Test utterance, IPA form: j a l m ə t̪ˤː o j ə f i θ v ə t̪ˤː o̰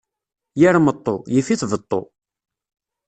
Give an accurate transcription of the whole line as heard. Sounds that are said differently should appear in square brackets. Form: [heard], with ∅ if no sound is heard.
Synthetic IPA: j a [ɾ] m ə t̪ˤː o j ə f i θ v ə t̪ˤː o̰